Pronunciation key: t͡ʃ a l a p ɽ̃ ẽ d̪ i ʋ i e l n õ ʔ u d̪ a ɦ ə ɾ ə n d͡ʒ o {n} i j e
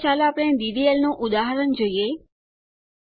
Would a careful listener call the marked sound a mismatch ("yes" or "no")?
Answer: yes